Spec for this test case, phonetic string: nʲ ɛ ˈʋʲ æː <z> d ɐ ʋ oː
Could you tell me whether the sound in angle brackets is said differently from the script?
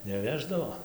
yes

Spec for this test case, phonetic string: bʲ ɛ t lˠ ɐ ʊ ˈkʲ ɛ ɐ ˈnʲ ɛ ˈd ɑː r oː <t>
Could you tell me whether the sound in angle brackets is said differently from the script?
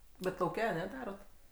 no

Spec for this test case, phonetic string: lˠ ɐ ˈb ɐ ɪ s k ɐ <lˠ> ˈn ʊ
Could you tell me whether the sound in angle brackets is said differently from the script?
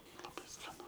yes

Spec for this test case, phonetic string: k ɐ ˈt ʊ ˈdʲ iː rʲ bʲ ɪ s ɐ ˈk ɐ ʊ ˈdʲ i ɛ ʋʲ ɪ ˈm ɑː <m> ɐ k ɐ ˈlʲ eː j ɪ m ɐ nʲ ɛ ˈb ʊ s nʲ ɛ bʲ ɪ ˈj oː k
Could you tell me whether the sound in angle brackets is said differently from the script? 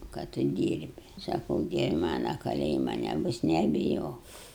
yes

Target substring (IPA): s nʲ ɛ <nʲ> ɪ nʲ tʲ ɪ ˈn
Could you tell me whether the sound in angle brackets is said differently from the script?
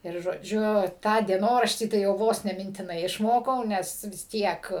yes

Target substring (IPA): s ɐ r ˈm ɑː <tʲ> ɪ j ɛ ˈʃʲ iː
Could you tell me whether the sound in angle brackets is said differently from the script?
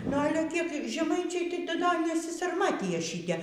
no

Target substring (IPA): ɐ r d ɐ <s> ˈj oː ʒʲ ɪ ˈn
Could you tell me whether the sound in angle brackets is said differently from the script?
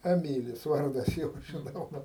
no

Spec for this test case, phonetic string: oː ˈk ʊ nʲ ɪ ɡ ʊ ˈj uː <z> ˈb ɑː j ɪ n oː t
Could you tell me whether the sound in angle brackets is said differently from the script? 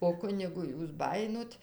yes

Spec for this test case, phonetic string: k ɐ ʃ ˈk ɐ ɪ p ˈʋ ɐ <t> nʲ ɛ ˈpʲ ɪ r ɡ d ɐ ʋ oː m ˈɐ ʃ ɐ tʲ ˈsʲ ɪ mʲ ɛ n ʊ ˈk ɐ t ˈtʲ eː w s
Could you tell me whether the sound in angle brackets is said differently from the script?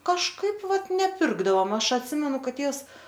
no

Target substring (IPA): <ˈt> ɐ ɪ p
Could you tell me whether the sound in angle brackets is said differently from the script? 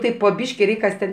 no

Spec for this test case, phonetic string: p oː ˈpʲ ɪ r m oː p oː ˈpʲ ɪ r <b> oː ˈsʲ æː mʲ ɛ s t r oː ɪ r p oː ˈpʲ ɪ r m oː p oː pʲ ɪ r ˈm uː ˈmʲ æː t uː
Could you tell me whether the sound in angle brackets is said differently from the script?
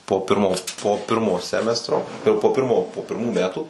yes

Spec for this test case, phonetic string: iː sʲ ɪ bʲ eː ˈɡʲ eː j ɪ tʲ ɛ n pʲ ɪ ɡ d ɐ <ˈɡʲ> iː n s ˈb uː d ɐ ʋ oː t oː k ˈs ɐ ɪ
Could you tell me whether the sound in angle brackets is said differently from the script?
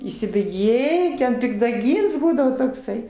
no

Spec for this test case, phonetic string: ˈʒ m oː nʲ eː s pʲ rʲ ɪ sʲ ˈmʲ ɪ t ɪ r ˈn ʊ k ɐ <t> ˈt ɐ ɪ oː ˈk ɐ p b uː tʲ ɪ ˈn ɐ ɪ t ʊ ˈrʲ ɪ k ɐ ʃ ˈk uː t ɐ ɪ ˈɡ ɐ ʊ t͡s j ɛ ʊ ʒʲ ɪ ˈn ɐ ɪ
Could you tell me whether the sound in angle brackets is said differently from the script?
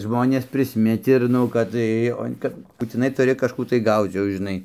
no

